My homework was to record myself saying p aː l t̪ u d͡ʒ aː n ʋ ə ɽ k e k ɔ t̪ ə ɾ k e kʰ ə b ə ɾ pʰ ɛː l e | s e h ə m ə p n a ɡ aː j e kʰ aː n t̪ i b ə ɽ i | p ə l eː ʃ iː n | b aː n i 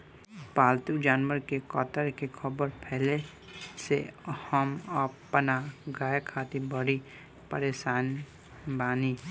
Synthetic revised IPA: p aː l t̪ u d͡ʒ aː n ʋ ə ɾ k e k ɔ t̪ ə ɾ k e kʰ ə b ə ɾ pʰ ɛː l e | s e h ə m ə p n a ɡ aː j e kʰ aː t̪ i b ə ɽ i | p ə ɾ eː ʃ aː n | b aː n i